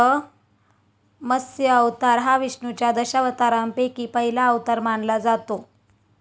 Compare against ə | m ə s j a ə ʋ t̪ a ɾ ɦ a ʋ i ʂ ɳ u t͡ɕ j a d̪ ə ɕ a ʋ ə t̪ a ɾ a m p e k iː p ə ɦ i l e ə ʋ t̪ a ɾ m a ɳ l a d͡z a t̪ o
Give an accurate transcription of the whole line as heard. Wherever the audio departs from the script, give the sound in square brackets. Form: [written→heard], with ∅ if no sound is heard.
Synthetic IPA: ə | m ə s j [a→ə] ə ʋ t̪ a ɾ ɦ a ʋ i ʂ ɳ u t͡ɕ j a d̪ ə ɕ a ʋ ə t̪ a ɾ a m p e k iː p ə ɦ i l [e→a] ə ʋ t̪ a ɾ m a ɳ l a d͡z a t̪ o